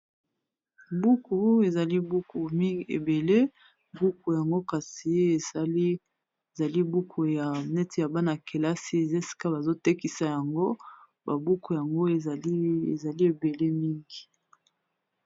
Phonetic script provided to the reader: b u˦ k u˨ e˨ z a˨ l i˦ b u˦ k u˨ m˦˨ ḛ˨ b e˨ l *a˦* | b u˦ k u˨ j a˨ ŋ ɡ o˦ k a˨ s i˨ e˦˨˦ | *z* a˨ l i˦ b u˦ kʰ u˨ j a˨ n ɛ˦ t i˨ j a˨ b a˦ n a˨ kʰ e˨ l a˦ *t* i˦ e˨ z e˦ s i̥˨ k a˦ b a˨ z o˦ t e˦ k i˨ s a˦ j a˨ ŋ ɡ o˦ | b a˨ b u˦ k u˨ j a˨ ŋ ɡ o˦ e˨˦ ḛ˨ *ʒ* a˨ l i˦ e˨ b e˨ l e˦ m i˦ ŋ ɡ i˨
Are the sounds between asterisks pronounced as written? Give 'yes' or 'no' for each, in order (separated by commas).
no, yes, no, no